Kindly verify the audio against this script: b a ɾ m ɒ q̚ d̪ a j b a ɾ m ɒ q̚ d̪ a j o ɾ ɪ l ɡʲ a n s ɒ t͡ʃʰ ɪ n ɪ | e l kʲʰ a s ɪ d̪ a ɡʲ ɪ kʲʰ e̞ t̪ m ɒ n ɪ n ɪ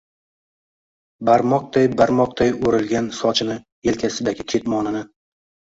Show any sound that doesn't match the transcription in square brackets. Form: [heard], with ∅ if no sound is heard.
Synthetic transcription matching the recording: b a ɾ m ɒ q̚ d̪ a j b a ɾ m ɒ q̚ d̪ a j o ɾ ɪ l ɡʲ a n s ɒ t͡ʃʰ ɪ n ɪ | e l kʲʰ a s ɪ d̪ a ɡʲ ɪ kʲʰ e̞ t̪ m ɒ n ɪ n ɪ